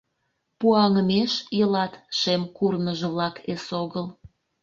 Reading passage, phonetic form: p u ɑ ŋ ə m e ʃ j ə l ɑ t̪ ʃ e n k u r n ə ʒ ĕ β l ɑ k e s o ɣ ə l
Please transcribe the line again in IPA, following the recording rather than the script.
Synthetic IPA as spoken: p u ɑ ŋ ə m e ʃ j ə l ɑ t̪ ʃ e m k u r n ə ʒ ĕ β l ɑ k e s o ɣ ə l